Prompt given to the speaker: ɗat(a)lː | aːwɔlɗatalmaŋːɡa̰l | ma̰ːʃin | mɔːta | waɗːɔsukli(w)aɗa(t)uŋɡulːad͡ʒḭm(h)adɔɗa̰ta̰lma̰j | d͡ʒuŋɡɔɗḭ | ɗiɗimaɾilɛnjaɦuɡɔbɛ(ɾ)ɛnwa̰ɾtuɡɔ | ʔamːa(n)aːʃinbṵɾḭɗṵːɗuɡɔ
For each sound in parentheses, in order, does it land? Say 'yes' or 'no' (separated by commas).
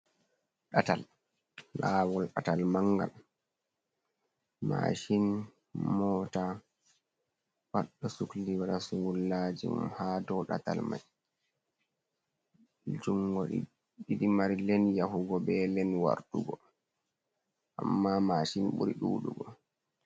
yes, yes, no, yes, no, no